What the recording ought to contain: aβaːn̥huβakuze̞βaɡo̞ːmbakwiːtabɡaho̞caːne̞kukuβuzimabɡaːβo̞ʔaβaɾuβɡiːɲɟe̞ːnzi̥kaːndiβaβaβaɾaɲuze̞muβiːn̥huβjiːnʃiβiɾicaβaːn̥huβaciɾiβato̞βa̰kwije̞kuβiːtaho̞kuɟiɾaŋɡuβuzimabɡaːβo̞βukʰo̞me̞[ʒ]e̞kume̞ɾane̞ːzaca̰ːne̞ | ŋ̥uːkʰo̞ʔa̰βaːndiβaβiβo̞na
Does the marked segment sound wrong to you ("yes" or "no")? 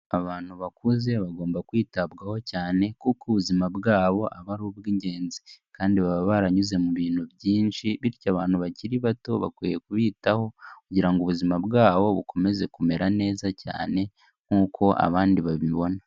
yes